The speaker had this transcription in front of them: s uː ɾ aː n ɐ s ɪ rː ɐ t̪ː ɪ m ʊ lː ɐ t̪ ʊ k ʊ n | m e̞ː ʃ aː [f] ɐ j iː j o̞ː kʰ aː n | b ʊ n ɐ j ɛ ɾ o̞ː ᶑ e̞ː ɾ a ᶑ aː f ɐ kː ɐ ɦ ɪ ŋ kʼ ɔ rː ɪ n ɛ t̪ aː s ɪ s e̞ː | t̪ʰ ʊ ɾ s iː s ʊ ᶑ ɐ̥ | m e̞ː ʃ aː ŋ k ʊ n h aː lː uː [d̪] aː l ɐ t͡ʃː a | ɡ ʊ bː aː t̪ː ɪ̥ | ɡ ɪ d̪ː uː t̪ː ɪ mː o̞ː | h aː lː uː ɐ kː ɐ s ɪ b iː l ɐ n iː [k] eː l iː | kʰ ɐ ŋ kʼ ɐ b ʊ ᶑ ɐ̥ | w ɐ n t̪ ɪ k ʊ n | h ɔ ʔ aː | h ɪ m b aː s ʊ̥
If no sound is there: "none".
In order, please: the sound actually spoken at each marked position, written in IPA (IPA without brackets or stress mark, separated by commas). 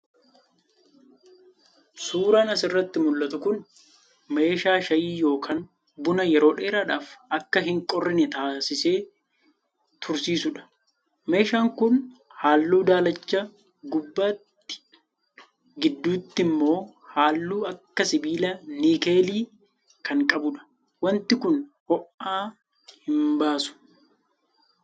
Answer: ʃ, d̪, k